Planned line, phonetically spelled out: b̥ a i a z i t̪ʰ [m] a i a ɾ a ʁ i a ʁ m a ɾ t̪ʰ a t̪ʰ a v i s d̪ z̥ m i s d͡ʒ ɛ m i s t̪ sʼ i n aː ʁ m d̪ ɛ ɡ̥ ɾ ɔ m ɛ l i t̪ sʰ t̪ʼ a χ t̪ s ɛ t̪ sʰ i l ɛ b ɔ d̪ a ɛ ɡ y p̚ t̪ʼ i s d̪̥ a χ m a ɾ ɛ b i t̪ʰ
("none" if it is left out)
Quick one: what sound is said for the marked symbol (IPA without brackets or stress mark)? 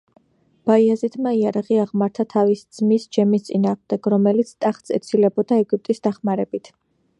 m